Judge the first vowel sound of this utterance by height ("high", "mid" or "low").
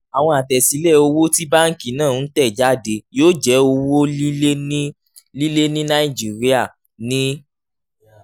low